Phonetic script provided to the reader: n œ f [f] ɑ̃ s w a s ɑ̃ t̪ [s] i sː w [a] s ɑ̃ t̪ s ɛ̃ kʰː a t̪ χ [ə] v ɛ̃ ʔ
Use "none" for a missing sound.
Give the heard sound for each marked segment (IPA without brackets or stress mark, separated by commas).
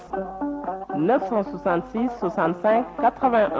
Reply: s, s, a, ə